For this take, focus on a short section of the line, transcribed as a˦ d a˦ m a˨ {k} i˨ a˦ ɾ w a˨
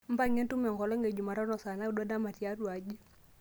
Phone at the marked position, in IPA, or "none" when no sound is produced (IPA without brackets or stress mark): t